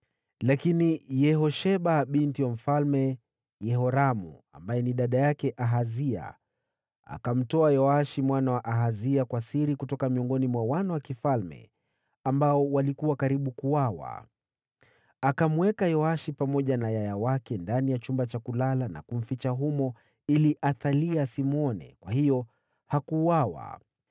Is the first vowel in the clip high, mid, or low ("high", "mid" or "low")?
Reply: low